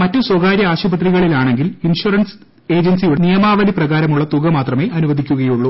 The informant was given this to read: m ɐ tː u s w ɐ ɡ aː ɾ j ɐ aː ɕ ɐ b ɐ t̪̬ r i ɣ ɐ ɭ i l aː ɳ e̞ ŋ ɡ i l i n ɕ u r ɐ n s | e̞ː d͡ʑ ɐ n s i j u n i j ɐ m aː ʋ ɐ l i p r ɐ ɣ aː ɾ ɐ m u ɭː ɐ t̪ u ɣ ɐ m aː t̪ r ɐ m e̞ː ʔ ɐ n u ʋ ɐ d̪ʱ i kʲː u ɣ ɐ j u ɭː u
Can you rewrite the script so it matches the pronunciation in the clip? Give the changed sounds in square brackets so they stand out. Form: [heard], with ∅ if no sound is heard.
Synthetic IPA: m ɐ tː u s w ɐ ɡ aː ɾ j ɐ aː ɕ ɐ b ɐ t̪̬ r i ɣ ɐ ɭ i l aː ɳ e̞ ŋ ɡ i l i n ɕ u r ɐ n s | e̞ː d͡ʑ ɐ n s i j u n i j ɐ m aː ʋ ɐ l i p r ɐ ɣ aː ɾ ɐ m u ɭː ɐ t̪ u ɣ ɐ m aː t̪ r ɐ m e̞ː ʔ ɐ n u ʋ ɐ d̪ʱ i kʲː u ɣ ɐ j u ɭː u